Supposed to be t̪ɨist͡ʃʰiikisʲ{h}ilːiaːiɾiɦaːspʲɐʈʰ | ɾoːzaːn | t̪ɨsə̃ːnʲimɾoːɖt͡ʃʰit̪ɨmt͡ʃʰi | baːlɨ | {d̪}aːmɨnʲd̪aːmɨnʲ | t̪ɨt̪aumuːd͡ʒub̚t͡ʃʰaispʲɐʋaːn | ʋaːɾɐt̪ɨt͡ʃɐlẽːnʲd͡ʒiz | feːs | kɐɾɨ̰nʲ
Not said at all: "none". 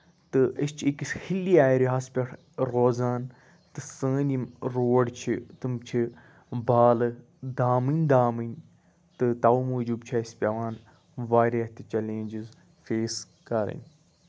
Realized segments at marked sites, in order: h, d̪

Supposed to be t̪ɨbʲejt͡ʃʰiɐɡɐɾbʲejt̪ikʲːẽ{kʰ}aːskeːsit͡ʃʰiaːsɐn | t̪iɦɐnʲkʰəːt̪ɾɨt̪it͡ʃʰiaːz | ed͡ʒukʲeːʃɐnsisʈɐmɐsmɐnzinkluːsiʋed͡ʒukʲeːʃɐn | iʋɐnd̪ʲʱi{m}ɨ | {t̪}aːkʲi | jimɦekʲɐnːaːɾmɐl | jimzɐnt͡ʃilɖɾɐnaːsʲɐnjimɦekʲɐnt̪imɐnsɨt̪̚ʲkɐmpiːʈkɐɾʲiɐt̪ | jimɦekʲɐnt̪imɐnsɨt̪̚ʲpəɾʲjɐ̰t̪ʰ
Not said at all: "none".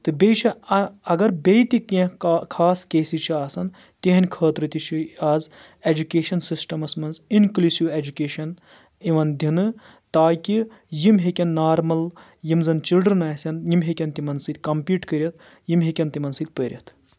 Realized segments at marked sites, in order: kʰ, n, t̪

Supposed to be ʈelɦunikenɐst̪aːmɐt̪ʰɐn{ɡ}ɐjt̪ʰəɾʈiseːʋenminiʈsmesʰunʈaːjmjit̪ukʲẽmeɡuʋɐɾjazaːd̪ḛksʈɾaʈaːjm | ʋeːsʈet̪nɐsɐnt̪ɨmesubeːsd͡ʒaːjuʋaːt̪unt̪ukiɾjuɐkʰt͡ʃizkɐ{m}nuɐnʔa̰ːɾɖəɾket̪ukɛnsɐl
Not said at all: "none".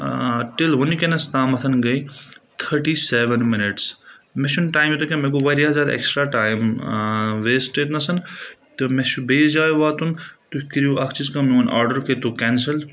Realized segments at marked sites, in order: ɡ, m

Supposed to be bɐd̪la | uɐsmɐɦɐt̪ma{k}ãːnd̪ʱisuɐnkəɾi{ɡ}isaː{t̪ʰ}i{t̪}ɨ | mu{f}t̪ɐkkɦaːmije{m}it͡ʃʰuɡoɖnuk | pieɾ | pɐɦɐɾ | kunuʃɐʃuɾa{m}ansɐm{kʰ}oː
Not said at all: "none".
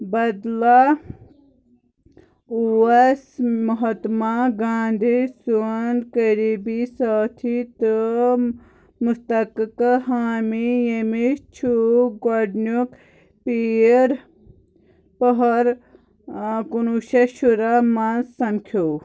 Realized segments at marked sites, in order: ɡ, b, t̪ʰ, t̪, s, m, m, kʰ

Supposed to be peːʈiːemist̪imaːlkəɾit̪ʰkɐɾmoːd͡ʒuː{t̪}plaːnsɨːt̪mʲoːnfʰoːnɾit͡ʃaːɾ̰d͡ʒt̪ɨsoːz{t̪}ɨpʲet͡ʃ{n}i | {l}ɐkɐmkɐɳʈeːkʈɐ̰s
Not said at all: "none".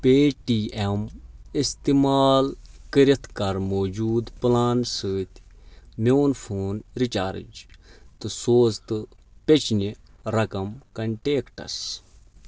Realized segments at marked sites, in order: d̪, t̪, n, ɾ

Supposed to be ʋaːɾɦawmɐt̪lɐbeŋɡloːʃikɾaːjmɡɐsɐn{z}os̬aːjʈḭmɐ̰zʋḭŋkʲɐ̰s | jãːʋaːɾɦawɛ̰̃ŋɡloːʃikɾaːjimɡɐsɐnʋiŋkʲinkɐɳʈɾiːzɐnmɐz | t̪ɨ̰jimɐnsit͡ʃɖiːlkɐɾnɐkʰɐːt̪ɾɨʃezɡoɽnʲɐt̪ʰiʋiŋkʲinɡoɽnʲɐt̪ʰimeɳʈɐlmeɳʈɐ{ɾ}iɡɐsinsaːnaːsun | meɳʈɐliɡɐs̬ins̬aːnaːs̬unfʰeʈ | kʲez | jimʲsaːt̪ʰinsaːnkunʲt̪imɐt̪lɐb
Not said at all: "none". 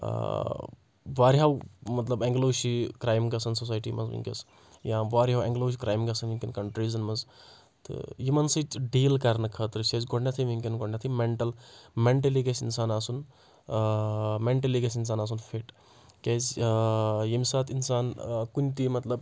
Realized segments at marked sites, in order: s, l

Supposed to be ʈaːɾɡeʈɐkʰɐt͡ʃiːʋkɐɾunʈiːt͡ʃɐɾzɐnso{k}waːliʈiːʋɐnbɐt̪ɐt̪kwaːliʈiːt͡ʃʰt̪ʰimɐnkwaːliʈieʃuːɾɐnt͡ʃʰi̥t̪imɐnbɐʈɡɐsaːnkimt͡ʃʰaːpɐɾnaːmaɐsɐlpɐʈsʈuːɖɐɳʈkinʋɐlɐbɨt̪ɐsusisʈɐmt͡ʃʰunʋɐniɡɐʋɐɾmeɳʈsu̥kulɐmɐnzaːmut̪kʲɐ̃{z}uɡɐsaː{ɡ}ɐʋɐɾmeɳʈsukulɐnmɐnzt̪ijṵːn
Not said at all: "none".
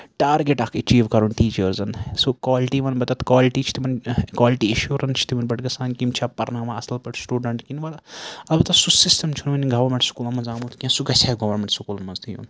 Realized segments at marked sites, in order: k, s, ɡ

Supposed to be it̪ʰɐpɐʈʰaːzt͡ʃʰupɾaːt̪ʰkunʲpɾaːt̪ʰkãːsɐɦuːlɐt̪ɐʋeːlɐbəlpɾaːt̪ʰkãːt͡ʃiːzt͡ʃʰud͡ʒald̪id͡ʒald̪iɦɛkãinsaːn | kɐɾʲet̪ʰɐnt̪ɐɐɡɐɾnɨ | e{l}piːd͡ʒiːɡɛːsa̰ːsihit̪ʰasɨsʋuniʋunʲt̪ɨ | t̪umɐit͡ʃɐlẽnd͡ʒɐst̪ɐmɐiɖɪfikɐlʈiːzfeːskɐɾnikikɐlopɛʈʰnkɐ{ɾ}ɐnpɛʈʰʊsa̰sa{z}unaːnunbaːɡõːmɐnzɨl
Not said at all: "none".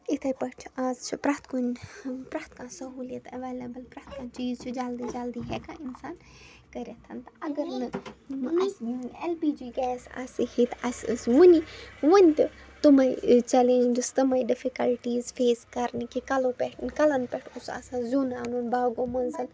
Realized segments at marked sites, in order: l, l, z

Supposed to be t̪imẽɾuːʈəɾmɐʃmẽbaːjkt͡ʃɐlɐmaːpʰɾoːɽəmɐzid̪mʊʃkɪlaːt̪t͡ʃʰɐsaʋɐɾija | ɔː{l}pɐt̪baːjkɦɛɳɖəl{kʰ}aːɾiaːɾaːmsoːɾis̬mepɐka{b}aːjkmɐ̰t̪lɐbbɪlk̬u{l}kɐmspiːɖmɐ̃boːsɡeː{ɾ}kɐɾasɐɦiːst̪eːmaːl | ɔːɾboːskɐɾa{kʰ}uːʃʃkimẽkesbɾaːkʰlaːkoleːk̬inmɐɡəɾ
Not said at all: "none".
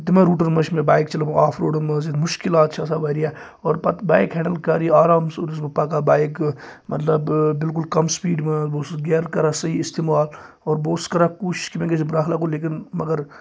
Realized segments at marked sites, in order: ɾ, k, b, l, ɾ, k

